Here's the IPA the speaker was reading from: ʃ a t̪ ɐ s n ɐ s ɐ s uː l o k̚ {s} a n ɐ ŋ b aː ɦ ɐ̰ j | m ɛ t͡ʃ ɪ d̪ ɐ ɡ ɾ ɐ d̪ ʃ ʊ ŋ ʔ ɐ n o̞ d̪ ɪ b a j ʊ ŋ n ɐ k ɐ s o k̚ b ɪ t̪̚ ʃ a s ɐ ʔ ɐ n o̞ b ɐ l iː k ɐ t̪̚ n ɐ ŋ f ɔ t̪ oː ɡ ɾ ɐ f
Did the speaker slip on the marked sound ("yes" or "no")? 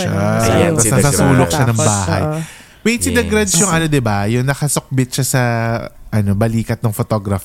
yes